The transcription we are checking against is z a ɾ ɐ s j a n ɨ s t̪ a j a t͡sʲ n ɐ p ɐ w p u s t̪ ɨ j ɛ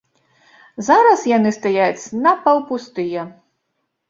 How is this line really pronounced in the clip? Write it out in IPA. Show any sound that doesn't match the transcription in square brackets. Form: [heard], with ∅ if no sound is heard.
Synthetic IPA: z a ɾ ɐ s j a n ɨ s t̪ a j a t͡sʲ n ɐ p ɐ w p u s t̪ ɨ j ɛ